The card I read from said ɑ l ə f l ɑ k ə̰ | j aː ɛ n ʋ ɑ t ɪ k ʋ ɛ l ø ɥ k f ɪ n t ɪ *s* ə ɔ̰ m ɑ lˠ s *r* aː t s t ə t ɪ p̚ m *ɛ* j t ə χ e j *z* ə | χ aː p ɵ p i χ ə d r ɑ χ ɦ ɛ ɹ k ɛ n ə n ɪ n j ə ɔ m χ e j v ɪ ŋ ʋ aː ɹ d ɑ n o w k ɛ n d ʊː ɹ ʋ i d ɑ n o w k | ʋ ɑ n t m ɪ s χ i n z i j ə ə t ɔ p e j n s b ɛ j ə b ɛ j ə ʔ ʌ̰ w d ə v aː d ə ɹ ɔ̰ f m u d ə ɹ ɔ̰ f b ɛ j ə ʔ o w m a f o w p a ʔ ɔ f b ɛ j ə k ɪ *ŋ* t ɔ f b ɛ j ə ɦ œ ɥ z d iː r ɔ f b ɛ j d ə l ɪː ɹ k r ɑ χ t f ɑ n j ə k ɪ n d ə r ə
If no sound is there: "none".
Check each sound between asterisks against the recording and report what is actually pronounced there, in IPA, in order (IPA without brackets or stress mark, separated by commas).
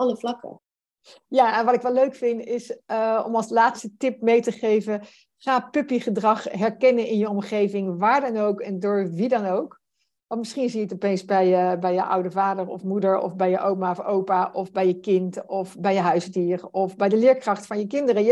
s, l, e, v, n